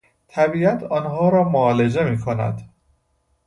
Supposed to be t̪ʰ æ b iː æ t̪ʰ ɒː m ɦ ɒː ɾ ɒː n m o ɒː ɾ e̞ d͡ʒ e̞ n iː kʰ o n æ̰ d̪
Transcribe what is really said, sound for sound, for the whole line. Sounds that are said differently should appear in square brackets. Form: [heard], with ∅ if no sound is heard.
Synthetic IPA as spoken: t̪ʰ æ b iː æ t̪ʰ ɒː [n] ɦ ɒː ɾ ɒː [∅] m o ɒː [l] e̞ d͡ʒ e̞ [m] iː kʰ o n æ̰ d̪